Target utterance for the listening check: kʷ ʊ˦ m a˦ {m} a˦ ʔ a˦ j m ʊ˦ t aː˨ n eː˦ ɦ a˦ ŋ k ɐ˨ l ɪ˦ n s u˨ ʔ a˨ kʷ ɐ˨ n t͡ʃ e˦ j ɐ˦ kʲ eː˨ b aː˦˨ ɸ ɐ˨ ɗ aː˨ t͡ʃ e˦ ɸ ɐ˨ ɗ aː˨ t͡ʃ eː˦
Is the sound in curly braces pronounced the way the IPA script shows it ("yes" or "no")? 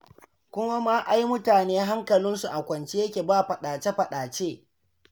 yes